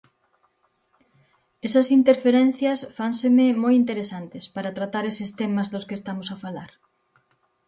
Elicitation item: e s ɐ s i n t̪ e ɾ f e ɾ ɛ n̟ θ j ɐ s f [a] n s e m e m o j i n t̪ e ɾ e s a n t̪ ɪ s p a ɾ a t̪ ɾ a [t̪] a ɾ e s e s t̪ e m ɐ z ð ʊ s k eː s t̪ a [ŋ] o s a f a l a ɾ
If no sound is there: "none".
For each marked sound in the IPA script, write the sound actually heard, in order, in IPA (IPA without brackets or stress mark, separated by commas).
a, t̪, m